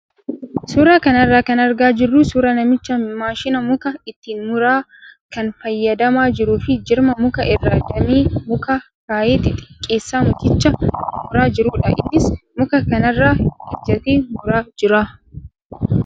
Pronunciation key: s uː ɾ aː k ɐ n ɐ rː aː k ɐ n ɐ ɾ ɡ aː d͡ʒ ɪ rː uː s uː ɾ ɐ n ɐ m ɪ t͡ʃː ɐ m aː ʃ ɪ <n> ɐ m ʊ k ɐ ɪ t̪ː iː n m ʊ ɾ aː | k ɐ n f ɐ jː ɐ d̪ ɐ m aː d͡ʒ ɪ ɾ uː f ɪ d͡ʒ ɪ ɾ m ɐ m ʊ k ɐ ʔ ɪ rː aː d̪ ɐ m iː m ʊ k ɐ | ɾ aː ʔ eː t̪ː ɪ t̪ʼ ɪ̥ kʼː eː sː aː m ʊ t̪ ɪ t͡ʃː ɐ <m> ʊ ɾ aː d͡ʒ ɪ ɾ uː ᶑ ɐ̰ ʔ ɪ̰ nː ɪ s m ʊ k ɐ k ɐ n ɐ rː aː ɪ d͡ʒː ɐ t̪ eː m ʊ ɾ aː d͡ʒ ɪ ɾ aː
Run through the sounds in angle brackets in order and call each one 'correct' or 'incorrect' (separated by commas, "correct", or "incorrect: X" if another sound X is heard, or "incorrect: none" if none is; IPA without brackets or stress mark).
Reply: correct, correct